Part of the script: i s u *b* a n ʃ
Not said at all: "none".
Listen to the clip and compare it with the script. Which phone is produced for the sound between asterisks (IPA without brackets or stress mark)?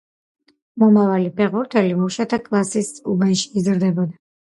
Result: b